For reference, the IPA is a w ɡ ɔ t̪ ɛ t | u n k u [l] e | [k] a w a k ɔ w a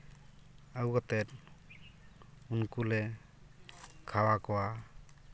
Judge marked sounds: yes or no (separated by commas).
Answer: yes, no